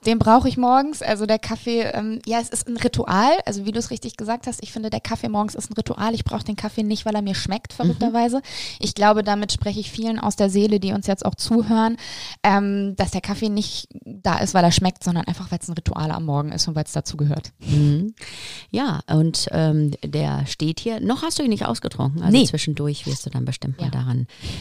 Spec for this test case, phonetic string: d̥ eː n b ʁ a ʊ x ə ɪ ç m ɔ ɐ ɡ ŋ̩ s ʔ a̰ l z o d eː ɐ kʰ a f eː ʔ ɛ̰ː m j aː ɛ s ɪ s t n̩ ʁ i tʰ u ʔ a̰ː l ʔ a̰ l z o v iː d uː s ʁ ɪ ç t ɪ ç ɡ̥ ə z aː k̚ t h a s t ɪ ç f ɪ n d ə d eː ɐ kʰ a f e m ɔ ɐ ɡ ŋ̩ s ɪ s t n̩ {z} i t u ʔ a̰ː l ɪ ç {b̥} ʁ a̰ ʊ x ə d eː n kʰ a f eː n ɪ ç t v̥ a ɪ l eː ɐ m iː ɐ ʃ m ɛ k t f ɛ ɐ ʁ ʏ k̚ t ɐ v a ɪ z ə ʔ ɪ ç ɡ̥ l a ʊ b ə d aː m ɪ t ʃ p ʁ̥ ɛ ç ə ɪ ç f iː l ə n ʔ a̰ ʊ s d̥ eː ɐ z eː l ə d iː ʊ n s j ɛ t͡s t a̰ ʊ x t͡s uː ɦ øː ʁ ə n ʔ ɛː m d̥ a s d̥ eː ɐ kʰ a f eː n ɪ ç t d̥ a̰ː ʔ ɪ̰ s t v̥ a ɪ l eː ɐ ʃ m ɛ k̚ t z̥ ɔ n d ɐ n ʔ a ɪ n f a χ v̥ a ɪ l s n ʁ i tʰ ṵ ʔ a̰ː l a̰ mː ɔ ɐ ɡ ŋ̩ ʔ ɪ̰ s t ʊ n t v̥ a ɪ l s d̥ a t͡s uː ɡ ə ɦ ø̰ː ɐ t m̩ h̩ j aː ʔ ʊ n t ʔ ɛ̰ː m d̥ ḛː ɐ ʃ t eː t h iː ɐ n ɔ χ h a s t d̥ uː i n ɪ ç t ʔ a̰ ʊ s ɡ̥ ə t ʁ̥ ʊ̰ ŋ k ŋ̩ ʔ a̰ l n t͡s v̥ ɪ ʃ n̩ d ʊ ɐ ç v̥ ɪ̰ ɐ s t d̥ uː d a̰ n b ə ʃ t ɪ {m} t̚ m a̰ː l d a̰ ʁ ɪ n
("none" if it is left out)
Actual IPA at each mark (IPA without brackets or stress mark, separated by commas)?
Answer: ʁ, b̥, m